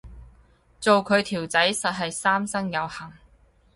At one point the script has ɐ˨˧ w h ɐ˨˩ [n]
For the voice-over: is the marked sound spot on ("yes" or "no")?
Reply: no